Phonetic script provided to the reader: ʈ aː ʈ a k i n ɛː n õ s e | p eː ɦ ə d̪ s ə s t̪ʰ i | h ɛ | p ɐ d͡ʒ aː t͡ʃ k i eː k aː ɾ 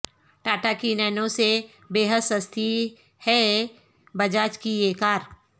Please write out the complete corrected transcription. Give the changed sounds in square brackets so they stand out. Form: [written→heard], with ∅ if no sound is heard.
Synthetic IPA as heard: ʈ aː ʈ a k i n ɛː n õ s e | [p→b] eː ɦ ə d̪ s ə s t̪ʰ i | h ɛ | [p→b] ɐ d͡ʒ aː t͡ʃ k i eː k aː ɾ